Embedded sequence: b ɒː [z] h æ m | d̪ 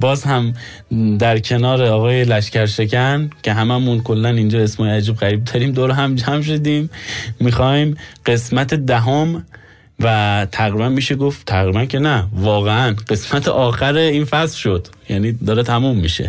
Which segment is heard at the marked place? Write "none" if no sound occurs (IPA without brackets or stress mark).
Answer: z